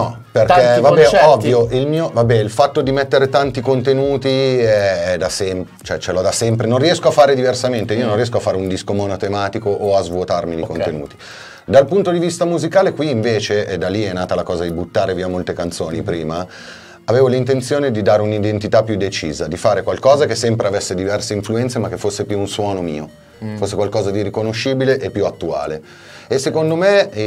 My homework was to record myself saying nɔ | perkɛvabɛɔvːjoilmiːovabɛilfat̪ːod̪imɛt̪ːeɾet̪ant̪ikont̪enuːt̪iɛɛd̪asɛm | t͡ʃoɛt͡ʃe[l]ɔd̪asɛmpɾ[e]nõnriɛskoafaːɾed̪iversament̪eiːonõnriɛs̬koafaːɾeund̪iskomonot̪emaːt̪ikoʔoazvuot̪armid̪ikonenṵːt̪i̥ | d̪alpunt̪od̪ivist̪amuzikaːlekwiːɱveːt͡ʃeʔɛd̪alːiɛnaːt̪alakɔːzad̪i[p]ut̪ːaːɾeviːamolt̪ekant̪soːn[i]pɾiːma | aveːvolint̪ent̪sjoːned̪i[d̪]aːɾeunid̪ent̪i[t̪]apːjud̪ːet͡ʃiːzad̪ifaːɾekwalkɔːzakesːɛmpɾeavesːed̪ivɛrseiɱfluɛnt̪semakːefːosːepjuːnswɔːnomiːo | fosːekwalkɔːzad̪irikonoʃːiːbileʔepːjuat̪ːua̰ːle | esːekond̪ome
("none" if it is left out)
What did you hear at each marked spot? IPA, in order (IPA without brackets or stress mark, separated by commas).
l, e, b, i, d̪, t̪